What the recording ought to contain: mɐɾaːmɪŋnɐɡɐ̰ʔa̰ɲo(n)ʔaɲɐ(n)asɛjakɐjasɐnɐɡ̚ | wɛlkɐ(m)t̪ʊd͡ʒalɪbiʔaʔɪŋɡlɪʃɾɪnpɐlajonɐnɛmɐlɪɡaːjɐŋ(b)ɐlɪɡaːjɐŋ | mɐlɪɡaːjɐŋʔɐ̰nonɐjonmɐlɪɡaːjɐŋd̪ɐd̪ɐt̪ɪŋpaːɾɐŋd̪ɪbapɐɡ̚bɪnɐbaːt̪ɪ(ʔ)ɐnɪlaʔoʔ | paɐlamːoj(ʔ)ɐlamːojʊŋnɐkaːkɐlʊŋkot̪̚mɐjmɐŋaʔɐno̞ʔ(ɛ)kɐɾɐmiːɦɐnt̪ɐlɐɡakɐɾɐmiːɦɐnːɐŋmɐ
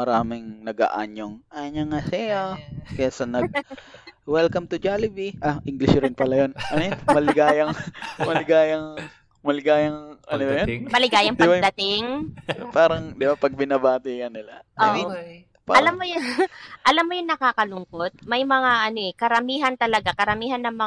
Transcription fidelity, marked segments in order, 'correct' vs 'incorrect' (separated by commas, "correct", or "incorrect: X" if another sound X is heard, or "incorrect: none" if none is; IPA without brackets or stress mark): incorrect: ŋ, incorrect: ŋ, correct, incorrect: m, incorrect: k, correct, correct